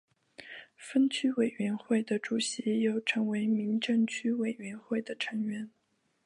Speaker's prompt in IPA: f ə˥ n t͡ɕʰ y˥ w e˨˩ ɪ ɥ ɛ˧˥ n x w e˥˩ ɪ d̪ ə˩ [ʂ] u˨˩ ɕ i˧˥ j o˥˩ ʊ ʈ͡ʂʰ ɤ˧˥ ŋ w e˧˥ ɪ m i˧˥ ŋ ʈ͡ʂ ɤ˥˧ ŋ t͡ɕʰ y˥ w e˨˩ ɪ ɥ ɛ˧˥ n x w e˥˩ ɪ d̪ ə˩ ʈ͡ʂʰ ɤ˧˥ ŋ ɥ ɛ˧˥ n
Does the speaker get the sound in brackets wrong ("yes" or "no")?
yes